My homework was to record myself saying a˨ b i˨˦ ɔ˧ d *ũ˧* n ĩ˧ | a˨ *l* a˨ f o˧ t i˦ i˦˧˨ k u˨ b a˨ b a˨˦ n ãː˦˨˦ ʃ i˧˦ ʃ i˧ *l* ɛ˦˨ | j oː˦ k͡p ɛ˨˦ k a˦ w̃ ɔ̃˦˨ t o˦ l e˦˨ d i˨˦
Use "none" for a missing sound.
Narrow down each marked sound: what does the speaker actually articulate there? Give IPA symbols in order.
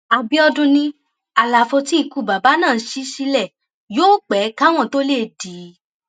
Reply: ũ˧, l, l

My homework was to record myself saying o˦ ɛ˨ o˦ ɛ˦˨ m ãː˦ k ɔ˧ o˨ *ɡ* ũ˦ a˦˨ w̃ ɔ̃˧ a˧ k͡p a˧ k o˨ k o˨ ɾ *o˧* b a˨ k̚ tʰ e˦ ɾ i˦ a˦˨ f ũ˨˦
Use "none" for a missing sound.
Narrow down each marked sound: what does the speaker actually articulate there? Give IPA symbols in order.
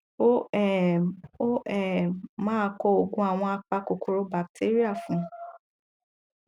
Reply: ɡ, o˧

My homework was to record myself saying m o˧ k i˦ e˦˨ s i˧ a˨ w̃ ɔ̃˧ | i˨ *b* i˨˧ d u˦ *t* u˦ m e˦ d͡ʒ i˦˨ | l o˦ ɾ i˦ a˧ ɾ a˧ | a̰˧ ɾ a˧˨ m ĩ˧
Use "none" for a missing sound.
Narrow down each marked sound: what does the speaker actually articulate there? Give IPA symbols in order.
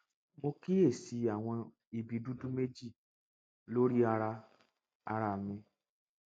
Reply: b, d

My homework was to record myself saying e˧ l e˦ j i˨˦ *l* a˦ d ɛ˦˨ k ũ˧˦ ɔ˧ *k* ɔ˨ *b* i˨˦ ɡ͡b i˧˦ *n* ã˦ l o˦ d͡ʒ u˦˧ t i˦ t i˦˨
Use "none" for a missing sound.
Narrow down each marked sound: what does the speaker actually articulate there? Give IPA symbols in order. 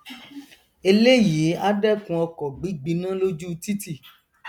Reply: none, k, ɡ͡b, n

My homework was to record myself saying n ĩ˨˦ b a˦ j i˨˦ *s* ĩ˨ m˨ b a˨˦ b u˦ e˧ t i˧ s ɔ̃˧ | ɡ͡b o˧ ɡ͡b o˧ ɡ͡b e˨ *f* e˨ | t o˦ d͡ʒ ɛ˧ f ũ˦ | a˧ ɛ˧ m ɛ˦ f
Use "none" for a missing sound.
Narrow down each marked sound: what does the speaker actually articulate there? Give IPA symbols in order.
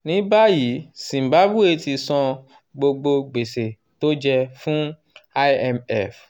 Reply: s, s

